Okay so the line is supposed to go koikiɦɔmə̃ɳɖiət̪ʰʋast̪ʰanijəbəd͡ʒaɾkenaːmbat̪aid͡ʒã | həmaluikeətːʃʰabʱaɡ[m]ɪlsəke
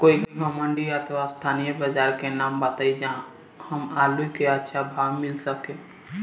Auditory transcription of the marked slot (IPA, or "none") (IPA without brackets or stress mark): m